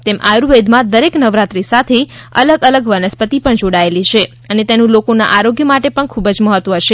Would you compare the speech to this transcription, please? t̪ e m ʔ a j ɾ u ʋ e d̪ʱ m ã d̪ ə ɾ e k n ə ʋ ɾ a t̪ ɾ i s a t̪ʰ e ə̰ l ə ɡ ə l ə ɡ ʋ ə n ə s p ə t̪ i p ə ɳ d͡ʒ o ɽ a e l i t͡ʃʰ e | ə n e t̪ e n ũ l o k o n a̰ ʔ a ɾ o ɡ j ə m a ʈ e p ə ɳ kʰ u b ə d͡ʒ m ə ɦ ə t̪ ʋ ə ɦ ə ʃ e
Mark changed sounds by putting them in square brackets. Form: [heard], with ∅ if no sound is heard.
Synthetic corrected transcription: t̪ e m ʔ a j ɾ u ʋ e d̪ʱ m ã d̪ ə ɾ e k n ə ʋ ɾ a t̪ ɾ i s a t̪ʰ e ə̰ l ə ɡ ə l ə ɡ ʋ ə n ə s p ə t̪ i p ə ɳ d͡ʒ o ɽ a e l i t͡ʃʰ e | ə n e t̪ e n ũ l o k o n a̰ ʔ a ɾ o ɡ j ə m a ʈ e p ə ɳ kʰ u b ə d͡ʒ m ə ɦ ə t̪ ʋ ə ɦ ə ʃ e